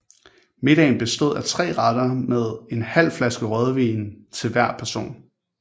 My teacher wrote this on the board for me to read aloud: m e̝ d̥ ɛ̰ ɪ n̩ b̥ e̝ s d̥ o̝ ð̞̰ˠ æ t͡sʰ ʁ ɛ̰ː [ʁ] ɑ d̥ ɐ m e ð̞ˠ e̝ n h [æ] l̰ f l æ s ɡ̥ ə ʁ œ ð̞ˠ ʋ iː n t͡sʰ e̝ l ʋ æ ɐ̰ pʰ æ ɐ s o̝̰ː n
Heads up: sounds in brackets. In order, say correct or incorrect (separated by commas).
correct, correct